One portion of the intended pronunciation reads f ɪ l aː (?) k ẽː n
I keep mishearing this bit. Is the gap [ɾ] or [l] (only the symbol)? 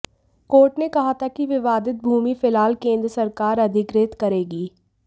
l